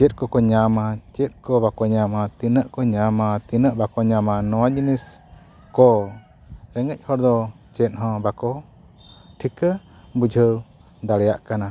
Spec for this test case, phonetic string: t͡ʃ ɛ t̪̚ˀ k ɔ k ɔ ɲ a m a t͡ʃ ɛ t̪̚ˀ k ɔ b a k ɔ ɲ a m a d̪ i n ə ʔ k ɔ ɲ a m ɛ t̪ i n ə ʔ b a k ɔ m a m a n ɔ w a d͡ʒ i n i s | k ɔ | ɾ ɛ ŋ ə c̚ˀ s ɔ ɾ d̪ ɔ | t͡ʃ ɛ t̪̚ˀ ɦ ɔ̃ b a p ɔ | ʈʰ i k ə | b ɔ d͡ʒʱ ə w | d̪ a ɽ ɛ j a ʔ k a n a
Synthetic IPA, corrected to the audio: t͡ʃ ɛ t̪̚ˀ k ɔ k ɔ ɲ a m a t͡ʃ ɛ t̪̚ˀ k ɔ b a k ɔ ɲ a m a t̪ i n ə ʔ k ɔ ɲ a m a t̪ i n ə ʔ b a k ɔ ɲ a m a n ɔ w a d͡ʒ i n i s | k ɔ | ɾ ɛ ŋ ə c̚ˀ h ɔ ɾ d̪ ɔ | t͡ʃ ɛ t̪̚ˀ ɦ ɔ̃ b a k ɔ | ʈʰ i k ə | b u d͡ʒʱ ə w | d̪ a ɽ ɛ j a ʔ k a n a